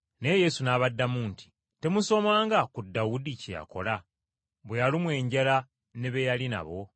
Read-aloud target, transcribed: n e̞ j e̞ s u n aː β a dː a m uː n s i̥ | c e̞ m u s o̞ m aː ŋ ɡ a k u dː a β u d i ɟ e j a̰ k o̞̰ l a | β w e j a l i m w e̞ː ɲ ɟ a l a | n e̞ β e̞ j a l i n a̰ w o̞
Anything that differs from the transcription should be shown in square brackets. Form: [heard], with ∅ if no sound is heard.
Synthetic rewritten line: n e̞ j e̞ s u n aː β a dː a m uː n [t] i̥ | [t] e̞ m u s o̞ m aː ŋ ɡ a k u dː a [w] u d i [c] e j a̰ k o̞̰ l a | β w e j a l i m w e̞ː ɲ ɟ a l a | n e̞ β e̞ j a l i n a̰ [β] o̞